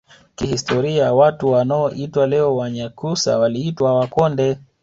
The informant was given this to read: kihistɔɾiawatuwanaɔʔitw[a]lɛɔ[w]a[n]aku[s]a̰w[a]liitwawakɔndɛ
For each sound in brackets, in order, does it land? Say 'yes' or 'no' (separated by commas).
yes, yes, no, yes, yes